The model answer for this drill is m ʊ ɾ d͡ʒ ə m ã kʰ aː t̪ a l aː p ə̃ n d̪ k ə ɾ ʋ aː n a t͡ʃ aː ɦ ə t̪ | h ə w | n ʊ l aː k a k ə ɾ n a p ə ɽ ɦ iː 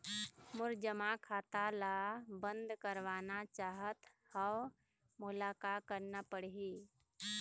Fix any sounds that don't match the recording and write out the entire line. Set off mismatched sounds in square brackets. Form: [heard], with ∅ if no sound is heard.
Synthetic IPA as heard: m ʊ ɾ d͡ʒ ə m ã kʰ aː t̪ a l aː [b] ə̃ n d̪ k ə ɾ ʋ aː n a t͡ʃ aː ɦ ə t̪ | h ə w | [m] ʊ l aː k a k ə ɾ n a p ə ɽ ɦ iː